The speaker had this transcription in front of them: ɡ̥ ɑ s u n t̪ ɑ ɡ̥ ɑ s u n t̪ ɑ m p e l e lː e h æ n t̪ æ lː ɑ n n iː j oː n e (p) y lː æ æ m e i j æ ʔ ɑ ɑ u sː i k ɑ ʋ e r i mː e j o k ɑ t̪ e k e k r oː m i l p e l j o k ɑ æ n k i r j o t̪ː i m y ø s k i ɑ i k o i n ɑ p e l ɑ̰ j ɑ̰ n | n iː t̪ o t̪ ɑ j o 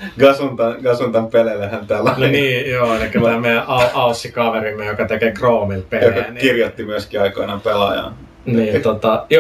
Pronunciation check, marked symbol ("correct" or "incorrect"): incorrect